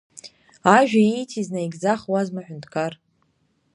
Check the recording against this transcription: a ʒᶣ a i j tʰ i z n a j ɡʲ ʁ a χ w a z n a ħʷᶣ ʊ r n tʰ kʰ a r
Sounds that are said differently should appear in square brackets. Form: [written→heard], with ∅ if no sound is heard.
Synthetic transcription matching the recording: a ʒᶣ a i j tʰ i z n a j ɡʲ [ʁ→z] a χ w a z [n→m] a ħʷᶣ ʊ [r→∅] n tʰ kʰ a r

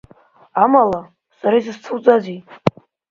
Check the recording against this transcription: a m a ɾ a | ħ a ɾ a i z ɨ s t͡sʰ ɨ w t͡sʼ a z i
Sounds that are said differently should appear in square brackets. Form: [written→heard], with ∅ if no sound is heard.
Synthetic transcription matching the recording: a m a [ɾ→l] a | [ħ→s] a ɾ a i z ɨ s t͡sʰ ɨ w t͡sʼ a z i

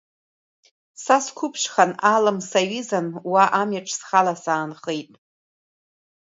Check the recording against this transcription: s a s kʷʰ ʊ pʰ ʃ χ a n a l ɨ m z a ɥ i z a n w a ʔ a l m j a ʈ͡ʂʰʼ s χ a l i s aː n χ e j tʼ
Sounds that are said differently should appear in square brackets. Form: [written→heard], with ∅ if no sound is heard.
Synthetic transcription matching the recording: s a s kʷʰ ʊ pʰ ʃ χ a n a l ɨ m [z→s] a ɥ i z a n w a ʔ a [l→∅] m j a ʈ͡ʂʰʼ s χ a l [i→a] s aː n χ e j tʼ

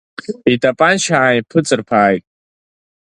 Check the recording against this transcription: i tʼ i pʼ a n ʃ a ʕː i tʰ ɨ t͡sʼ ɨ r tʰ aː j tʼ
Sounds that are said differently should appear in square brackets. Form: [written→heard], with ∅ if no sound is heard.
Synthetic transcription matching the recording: i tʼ [i→a] pʼ a n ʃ a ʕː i [tʰ→pʰ] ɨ t͡sʼ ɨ r [tʰ→pʰ] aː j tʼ

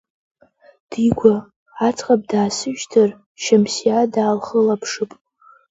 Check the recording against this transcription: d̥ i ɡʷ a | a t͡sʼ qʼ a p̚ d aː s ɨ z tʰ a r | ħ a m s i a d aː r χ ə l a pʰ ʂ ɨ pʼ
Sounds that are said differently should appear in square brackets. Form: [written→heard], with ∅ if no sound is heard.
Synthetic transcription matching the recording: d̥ i ɡʷ a | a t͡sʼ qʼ a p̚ d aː s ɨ [z→ʒ] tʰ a r | [ħ→ʃ] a m s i a d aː [r→l] χ ə l a pʰ ʂ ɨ pʼ

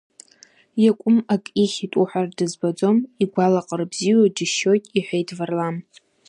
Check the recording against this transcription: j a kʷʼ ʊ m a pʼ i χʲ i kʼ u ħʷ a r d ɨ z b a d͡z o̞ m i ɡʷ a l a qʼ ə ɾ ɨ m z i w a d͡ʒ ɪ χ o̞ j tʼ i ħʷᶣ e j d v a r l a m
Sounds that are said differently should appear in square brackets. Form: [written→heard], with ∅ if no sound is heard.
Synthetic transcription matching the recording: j a kʷʼ ʊ m a [pʼ→kʼ] i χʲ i [kʼ→tʼ] u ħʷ a r d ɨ z b a d͡z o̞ m i ɡʷ a l a qʼ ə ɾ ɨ [m→b] z i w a d͡ʒ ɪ [χ→ʃ] o̞ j tʼ i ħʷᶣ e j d v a r l a m

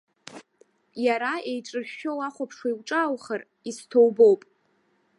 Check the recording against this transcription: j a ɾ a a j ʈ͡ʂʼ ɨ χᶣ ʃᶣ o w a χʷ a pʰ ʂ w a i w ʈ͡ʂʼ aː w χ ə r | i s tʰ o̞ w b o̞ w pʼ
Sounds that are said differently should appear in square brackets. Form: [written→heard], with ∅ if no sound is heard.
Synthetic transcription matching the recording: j a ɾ a [a→e] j ʈ͡ʂʼ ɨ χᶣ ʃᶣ o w a χʷ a pʰ ʂ w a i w ʈ͡ʂʼ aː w χ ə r | i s tʰ o̞ w b o̞ w pʼ

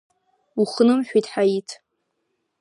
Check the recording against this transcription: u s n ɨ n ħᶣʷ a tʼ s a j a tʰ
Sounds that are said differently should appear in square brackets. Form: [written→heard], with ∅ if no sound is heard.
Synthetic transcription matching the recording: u [s→χ] n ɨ [n→m] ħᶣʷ [a→i] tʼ [s→ħ] a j [a→i] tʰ

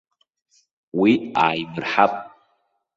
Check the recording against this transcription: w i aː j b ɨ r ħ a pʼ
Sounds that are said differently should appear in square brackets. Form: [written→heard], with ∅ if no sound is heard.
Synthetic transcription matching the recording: w i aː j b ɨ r ħ a pʼ

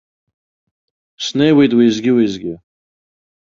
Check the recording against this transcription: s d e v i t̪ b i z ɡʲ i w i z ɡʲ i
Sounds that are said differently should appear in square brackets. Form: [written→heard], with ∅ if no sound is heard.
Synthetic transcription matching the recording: s [d→n] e [v→w] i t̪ [b→w] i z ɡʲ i w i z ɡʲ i

